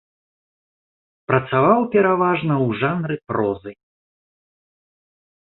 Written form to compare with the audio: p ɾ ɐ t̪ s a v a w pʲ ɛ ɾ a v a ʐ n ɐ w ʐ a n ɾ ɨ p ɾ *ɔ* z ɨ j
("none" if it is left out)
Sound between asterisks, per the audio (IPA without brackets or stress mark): ɔ